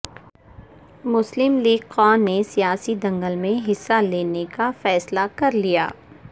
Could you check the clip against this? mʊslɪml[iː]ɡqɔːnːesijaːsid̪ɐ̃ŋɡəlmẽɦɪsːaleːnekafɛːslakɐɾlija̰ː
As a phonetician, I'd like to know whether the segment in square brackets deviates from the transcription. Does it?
no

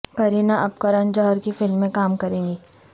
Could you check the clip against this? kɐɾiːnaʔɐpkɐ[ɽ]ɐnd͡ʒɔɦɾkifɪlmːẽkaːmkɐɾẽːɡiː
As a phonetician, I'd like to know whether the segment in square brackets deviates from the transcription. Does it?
yes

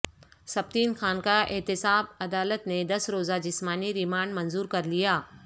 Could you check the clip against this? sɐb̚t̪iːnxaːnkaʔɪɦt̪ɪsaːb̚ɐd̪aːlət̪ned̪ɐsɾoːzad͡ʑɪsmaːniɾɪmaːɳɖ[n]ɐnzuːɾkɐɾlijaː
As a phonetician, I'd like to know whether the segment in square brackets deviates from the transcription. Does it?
yes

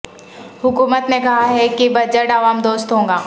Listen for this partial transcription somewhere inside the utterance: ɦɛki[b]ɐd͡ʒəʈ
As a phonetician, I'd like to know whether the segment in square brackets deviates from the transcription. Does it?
no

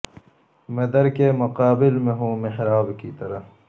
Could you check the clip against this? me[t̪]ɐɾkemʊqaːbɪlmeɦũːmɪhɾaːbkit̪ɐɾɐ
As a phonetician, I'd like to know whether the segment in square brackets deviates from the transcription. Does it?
yes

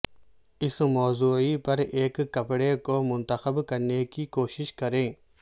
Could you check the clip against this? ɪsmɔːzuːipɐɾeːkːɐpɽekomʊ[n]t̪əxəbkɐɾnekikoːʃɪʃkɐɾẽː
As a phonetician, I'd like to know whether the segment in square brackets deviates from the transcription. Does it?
no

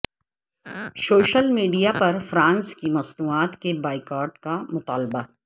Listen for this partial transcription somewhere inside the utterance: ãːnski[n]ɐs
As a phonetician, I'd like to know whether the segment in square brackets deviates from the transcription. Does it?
yes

